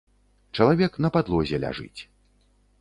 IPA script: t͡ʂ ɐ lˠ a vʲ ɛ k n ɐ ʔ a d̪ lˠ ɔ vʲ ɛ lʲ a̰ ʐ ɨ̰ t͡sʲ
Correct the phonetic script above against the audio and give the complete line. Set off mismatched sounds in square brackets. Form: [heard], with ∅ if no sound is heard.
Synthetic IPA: t͡ʂ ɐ lˠ a vʲ ɛ k n ɐ [p] a d̪ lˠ ɔ [zʲ] ɛ lʲ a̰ ʐ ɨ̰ t͡sʲ